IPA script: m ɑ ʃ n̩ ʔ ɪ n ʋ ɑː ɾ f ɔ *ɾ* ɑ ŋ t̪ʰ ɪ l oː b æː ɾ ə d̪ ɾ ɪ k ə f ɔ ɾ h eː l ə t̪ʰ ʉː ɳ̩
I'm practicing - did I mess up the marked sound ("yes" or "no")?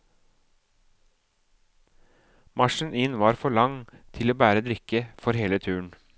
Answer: yes